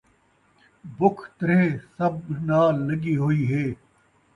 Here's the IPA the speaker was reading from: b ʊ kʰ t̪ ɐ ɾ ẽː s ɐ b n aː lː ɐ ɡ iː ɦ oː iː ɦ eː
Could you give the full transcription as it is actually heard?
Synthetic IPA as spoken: b ʊ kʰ t̪ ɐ ɾ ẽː s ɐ b n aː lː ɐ ɡ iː ɦ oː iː ɦ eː

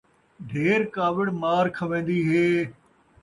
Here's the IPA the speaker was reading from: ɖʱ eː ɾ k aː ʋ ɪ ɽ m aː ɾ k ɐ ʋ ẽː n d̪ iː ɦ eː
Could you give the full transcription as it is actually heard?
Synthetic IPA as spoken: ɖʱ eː ɾ k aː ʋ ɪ ɽ m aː ɾ kʰ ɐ ʋ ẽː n d̪ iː ɦ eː

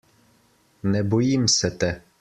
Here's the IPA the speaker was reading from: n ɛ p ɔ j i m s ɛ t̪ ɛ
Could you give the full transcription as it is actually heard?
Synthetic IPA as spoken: n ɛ b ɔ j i m s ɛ t̪ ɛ

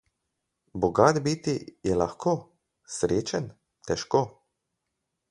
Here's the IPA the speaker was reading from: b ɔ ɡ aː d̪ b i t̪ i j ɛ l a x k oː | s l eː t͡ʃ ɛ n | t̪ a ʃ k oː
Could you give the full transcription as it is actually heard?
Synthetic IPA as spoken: b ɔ ɡ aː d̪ b i t̪ i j ɛ l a x k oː | s ɾ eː t͡ʃ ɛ n | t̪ ɛ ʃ k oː

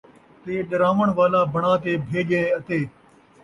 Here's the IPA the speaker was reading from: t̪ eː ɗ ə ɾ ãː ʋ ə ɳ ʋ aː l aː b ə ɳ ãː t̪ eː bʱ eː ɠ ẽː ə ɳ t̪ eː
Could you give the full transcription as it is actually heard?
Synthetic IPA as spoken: t̪ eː ɗ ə ɾ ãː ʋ ə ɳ ʋ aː l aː b ə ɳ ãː t̪ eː bʱ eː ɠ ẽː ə t̪ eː

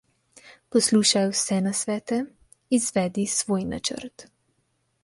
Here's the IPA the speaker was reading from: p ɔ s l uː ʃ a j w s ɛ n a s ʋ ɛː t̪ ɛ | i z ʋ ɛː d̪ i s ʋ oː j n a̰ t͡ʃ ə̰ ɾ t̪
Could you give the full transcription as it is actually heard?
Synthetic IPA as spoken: p ɔ s l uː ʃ a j w s ɛ n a s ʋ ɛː t̪ ɛ | i z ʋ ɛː d̪ i s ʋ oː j n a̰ t͡ʃ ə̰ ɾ t̪

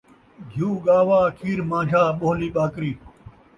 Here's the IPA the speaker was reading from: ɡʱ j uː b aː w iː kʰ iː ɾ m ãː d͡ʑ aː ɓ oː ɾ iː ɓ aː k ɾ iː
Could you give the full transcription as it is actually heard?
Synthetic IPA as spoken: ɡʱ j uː ɡ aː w aː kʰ iː ɾ m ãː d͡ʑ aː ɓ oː l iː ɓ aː k ɾ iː

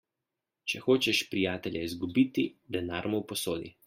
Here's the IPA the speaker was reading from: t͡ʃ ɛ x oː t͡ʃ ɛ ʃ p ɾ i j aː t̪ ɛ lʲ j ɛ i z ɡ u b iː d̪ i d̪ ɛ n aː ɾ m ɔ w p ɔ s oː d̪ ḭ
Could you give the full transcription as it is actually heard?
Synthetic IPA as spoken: t͡ʃ ɛ x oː t͡ʃ ɛ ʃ p ɾ i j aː t̪ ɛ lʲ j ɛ i z ɡ u b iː t̪ i d̪ ɛ n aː ɾ m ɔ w p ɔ s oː d̪ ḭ

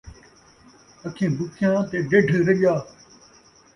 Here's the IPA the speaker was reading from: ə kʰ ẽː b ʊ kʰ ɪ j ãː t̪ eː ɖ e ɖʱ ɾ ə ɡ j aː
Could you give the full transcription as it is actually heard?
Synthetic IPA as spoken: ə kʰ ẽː b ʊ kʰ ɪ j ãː t̪ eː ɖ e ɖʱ ɾ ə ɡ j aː

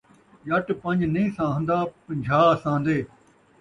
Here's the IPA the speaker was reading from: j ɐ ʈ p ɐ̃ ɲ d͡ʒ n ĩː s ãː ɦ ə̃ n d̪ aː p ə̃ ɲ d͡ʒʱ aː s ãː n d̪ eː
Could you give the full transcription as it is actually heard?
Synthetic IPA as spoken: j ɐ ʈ p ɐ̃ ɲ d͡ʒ n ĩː s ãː ɦ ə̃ n d̪ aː p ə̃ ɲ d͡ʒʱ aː s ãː n d̪ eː

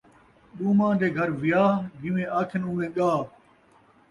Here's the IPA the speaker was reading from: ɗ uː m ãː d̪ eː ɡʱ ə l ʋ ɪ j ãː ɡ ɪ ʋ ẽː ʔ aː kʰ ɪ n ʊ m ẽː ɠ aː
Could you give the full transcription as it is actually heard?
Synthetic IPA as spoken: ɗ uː m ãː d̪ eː ɡʱ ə ɾ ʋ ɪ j aː ɡ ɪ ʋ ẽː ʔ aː kʰ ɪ n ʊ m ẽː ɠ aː

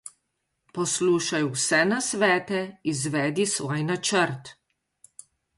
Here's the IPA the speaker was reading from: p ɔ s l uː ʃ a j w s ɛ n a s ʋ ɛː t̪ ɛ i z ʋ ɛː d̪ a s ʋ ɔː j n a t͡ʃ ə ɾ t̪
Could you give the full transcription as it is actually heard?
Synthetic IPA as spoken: p ɔ s l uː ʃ a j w s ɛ n a s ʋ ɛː t̪ ɛ i z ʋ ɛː d̪ i s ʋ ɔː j n a t͡ʃ ə ɾ t̪

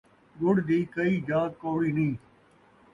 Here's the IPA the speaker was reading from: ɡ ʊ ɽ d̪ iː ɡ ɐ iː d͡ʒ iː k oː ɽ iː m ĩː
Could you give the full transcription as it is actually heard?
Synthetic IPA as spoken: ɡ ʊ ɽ d̪ iː k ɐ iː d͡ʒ aː k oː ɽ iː n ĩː

